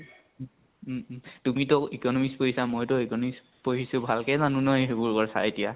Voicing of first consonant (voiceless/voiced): voiceless